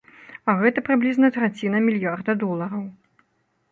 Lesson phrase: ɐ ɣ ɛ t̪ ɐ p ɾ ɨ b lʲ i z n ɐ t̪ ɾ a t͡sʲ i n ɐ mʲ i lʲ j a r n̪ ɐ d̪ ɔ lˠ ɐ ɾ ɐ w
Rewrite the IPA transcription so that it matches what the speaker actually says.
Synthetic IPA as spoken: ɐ ɣ ɛ t̪ ɐ p ɾ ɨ b lʲ i z n ɐ t̪ ɾ a t͡sʲ i n ɐ mʲ i lʲ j a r d̪ ɐ d̪ ɔ lˠ ɐ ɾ ɐ w